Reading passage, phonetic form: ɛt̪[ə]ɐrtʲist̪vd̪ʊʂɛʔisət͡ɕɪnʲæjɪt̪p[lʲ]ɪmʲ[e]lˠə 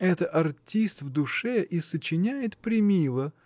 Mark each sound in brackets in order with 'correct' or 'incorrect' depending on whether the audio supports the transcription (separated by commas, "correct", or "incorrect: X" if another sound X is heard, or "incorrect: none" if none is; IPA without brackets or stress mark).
correct, incorrect: ɾʲ, incorrect: i